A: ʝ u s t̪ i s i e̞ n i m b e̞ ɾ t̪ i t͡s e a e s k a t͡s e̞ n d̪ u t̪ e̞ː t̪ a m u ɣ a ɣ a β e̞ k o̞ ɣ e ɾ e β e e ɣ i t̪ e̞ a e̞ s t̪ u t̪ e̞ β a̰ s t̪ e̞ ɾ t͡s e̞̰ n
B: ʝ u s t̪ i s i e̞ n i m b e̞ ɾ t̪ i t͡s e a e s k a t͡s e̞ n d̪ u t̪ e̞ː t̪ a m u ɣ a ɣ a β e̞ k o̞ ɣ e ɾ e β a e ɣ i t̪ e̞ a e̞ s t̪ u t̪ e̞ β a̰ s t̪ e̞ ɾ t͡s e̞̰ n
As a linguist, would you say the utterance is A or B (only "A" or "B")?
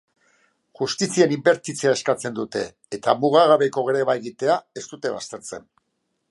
B